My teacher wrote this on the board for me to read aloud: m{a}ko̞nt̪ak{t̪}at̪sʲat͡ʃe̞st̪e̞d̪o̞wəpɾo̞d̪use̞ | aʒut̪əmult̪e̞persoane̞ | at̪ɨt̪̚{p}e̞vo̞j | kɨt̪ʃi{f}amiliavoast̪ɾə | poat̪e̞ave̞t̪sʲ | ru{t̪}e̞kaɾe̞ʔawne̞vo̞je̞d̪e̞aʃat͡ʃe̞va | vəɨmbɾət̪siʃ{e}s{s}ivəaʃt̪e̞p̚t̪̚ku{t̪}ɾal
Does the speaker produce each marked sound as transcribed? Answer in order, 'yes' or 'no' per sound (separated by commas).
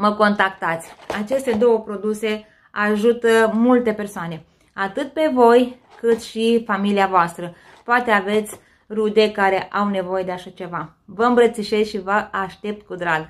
no, yes, yes, yes, no, yes, no, no